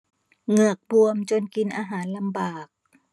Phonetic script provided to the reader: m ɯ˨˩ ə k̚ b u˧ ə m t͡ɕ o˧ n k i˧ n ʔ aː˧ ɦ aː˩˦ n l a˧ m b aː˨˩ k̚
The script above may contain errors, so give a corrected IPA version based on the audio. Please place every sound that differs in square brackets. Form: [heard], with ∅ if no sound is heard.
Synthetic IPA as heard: [ŋ] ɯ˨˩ ə k̚ b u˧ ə m t͡ɕ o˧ n k i˧ n ʔ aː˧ ɦ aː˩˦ n l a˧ m b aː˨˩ k̚